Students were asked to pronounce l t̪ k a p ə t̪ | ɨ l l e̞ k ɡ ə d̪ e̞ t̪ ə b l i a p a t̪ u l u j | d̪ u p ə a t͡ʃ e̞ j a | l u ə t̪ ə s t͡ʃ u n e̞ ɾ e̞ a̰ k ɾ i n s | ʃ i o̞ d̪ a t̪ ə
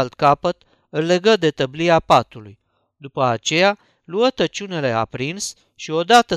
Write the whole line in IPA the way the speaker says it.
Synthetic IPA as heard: l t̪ k a p ə t̪ | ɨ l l e̞ ɡ ə d̪ e̞ t̪ ə b l i a p a t̪ u l u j | d̪ u p ə a t͡ʃ e̞ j a | l u ə t̪ ə t͡ʃ u n e̞ l e̞ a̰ p ɾ i n s | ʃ i o̞ d̪ a t̪ ə